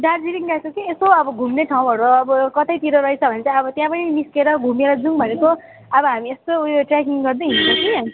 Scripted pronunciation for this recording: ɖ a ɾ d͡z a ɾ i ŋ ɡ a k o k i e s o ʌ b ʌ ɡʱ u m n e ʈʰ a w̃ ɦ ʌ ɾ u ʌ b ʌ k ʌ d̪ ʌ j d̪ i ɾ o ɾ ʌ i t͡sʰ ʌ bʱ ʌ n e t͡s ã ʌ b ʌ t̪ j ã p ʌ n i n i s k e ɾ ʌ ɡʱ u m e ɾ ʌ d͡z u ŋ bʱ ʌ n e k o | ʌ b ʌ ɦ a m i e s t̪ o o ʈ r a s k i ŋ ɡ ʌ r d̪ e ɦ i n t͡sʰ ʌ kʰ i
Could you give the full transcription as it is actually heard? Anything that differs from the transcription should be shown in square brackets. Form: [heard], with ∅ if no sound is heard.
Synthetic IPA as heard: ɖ a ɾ d͡z [i] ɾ i ŋ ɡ a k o k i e s o ʌ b ʌ ɡʱ u m n e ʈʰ a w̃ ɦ ʌ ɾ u ʌ b ʌ k ʌ [t̪] ʌ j [t̪] i ɾ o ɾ ʌ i t͡sʰ ʌ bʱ ʌ n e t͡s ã ʌ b ʌ t̪ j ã p ʌ n i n i s k e ɾ ʌ ɡʱ u m e ɾ ʌ d͡z u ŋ bʱ ʌ n e k o | ʌ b ʌ ɦ a m i e s t̪ o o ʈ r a [∅] k i ŋ ɡ ʌ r d̪ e ɦ i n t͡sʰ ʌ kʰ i